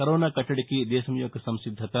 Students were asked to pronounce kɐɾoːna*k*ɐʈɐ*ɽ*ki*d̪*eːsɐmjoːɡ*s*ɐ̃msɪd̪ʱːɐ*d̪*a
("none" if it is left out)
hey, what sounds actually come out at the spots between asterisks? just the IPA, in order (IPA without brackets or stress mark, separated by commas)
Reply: k, ɽ, d̪, s, t̪